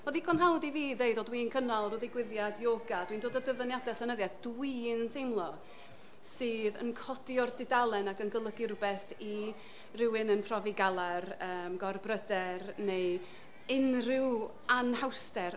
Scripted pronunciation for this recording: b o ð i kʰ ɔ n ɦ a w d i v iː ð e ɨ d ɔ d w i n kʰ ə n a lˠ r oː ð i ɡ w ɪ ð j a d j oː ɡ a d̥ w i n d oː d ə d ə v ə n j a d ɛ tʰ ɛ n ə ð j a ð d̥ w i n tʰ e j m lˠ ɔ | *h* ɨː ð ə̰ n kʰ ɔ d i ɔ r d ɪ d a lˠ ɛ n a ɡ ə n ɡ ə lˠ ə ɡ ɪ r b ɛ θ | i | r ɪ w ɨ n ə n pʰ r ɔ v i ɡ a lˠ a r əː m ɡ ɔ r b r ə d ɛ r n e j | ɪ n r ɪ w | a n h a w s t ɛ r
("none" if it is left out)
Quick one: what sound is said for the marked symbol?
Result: s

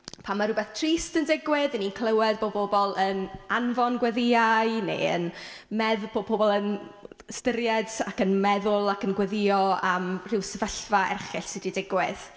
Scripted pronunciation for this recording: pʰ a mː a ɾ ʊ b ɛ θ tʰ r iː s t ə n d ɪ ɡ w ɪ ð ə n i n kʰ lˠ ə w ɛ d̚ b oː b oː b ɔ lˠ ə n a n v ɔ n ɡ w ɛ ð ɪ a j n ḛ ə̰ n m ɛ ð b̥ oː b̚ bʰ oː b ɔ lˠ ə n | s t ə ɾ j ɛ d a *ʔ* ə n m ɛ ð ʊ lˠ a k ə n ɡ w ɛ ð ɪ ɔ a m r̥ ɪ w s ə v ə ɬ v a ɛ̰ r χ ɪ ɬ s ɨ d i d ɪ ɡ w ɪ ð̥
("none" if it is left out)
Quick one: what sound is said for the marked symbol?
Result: k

